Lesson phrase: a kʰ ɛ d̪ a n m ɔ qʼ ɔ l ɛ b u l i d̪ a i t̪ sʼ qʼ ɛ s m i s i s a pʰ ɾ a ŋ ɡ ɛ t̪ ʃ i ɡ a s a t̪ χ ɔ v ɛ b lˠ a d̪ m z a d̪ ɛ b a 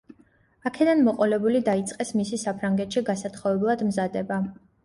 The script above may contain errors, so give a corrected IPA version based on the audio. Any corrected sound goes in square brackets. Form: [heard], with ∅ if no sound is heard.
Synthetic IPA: a kʰ ɛ d̪ a n m ɔ qʼ ɔ l ɛ b u l i d̪ a i t̪ sʼ qʼ ɛ s m i s i s a pʰ ɾ a ŋ ɡ ɛ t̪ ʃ i ɡ a s a t̪ χ ɔ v ɛ b lˠ a d̪ m z a d̪ ɛ b a